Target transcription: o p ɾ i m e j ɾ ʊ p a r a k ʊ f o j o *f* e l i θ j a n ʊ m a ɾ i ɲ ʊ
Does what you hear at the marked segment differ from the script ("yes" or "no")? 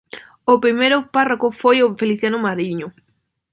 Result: no